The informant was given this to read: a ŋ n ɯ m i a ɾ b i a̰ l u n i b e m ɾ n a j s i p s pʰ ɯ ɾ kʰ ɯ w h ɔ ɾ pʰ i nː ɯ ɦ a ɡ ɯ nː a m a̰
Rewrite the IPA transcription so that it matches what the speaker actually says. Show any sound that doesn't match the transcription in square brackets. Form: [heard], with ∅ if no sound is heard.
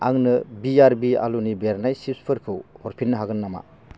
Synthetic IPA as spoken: a ŋ n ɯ [b] i a ɾ b i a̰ l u n i b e [∅] ɾ n a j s i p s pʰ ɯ ɾ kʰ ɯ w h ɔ ɾ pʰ i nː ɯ ɦ a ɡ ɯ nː a m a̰